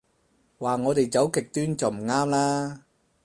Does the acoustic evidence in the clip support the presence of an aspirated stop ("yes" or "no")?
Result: no